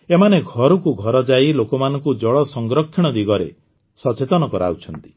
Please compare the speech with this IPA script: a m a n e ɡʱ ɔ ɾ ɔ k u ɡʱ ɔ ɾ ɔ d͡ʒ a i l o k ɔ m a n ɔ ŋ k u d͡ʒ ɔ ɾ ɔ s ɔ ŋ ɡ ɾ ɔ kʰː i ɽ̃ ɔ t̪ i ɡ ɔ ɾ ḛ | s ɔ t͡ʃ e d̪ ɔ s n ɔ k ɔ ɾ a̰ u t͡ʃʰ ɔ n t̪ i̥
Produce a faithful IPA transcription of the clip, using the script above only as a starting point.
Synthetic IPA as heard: e m a n e ɡʱ ɔ ɾ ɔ k u ɡʱ ɔ ɾ ɔ d͡ʒ a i l o k ɔ m a n ɔ ŋ k u d͡ʒ ɔ ɭ ɔ s ɔ ŋ ɡ ɾ ɔ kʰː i ɽ̃ ɔ d̪ i ɡ ɔ ɾ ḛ | s ɔ t͡ʃ e t̪ ɔ n ɔ k ɔ ɾ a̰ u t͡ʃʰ ɔ n t̪ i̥